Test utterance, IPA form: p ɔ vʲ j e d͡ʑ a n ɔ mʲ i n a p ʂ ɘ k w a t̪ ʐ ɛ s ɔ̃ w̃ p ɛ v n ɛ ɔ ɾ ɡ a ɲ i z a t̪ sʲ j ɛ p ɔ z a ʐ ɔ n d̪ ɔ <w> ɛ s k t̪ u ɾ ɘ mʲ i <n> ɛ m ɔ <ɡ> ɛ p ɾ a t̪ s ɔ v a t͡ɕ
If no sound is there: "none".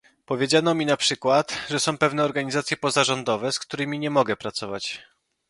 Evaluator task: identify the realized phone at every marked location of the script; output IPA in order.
v, ɲ, ɡ

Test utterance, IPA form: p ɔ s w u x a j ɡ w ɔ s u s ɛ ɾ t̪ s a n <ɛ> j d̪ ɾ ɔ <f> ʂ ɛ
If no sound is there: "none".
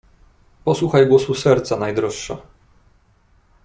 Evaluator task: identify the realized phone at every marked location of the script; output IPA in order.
a, ʂ

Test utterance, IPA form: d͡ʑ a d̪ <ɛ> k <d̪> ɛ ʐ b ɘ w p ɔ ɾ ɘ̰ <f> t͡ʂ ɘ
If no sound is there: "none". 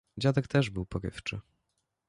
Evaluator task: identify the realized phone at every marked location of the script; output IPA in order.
ɛ, t̪, f

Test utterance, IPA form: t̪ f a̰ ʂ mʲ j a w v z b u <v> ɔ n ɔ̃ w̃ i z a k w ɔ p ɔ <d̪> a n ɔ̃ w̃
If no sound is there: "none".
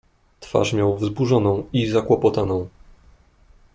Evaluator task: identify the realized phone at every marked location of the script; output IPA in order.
ʐ, t̪

